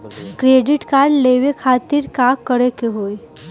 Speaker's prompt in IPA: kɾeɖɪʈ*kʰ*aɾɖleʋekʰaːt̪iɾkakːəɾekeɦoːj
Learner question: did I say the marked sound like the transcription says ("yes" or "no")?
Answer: no